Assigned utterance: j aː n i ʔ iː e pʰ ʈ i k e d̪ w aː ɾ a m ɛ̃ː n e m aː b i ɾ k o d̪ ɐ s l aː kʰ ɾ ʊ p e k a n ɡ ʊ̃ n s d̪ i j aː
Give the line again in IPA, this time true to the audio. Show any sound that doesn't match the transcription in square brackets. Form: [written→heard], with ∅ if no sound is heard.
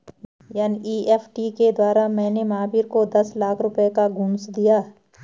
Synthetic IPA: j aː n i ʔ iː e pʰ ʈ i k e d̪ w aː ɾ a m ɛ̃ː n e m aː b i ɾ k o d̪ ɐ s l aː kʰ ɾ ʊ p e k a [n→∅] ɡ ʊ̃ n s d̪ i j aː